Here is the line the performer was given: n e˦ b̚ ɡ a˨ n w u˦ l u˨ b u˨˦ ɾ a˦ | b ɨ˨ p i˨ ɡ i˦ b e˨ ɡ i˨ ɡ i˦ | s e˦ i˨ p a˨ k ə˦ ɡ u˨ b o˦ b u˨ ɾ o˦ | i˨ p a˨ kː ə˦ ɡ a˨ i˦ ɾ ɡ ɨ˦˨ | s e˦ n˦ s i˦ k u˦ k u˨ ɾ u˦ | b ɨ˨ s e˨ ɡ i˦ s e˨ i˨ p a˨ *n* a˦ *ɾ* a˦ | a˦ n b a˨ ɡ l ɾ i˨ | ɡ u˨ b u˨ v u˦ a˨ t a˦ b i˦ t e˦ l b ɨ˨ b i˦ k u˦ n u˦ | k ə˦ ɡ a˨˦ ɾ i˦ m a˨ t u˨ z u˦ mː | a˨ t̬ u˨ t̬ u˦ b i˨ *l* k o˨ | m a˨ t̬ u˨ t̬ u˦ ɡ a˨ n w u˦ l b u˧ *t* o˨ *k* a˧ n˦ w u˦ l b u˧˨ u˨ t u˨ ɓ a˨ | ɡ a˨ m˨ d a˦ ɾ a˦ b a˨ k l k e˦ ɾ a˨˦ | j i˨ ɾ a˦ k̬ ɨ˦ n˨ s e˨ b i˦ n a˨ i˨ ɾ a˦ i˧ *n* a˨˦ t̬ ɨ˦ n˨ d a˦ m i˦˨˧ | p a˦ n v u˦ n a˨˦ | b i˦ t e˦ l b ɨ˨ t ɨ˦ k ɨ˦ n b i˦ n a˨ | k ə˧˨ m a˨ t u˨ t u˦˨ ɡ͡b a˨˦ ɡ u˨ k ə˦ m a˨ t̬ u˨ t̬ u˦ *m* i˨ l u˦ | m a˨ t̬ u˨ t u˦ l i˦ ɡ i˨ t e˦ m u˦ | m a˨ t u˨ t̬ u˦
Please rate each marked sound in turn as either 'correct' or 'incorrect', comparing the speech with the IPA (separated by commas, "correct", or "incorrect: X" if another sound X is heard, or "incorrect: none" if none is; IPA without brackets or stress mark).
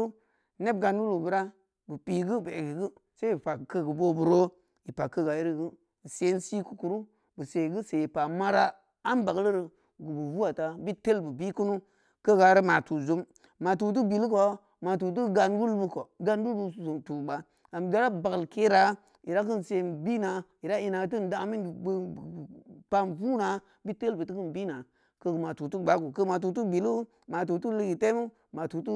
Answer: incorrect: m, correct, correct, incorrect: k, incorrect: ɡ, correct, incorrect: b